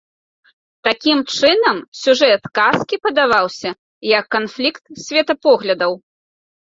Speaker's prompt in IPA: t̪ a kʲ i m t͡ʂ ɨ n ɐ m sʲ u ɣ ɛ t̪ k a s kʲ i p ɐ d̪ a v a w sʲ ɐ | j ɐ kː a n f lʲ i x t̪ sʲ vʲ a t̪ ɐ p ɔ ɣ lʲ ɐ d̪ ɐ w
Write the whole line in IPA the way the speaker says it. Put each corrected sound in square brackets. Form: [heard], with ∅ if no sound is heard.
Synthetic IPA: t̪ a kʲ i m t͡ʂ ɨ n ɐ m sʲ u [ʐ] ɛ t̪ k a s kʲ i p ɐ d̪ a v a w sʲ ɐ | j ɐ kː a n f lʲ i [k] t̪ sʲ vʲ [ɛ] t̪ ɐ p ɔ ɣ lʲ ɐ d̪ ɐ w